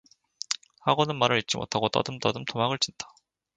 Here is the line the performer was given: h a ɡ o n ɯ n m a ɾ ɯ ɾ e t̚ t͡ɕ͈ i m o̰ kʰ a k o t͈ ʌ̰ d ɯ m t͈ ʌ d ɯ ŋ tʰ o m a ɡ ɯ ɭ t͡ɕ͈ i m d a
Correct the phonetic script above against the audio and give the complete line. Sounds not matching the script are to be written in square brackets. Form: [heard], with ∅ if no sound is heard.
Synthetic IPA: h a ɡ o n ɯ n m a ɾ ɯ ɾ [i] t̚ t͡ɕ͈ i m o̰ [tʰ] a [ɡ] o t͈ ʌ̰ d ɯ m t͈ ʌ d ɯ [m] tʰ o m a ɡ ɯ ɭ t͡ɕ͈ i [n] d a